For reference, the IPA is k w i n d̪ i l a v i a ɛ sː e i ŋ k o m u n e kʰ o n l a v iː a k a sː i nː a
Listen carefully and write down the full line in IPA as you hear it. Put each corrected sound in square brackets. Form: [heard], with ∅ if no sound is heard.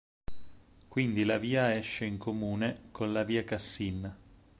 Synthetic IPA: k w i n d̪ i l a v [iː] a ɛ [ʃː] e i ŋ k o m [uː] n e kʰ o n l a v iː a k a sː i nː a